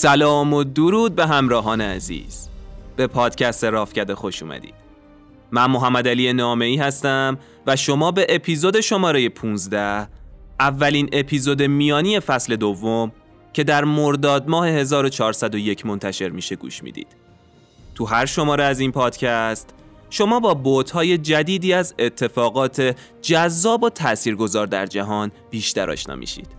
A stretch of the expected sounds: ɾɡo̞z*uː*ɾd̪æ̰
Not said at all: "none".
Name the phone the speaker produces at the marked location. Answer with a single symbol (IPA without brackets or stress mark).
ɒː